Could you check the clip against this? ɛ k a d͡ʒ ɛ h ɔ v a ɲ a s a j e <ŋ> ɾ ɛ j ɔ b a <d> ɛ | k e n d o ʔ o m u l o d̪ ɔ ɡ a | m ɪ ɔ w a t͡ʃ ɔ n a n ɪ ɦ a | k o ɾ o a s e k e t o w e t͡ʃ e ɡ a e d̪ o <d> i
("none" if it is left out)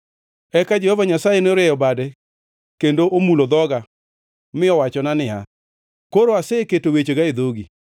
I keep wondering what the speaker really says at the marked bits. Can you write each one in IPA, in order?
n, d, ɡ

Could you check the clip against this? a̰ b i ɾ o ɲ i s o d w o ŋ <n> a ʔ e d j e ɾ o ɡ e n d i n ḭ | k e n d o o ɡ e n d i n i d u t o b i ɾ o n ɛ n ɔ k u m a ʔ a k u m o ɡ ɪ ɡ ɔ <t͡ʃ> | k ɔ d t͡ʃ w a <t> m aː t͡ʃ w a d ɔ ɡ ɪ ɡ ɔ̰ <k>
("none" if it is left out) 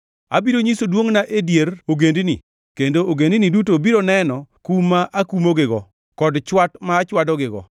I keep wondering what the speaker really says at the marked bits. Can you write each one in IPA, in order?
n, none, t, none

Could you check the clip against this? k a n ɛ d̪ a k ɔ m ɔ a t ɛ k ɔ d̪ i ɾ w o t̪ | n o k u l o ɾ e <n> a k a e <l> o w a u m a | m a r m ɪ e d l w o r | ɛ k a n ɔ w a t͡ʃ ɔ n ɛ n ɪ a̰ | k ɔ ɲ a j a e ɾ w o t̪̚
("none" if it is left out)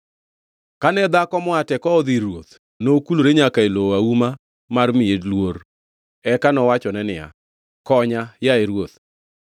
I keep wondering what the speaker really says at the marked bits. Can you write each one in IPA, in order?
ɲ, l

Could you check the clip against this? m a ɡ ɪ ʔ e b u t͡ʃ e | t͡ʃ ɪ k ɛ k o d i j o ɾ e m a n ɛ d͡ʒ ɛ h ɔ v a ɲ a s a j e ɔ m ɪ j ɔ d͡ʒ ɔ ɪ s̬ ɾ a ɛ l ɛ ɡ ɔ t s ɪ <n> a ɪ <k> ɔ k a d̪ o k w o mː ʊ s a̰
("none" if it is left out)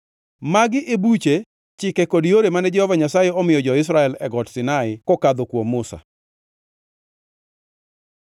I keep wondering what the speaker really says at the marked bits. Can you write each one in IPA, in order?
n, k

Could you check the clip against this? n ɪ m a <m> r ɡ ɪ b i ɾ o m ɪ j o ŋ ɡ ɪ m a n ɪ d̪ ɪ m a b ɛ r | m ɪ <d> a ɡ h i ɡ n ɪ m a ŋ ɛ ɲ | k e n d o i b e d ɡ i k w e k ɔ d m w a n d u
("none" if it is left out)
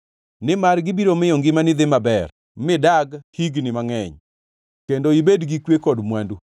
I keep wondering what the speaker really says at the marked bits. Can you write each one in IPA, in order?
none, d

